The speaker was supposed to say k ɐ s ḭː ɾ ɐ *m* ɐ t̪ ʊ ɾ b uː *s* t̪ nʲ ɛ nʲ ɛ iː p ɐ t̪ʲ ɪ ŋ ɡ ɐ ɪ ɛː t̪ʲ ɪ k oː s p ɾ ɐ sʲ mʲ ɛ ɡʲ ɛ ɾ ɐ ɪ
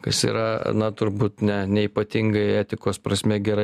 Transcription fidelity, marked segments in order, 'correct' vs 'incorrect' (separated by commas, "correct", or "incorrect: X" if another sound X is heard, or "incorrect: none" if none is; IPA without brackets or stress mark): incorrect: n, incorrect: none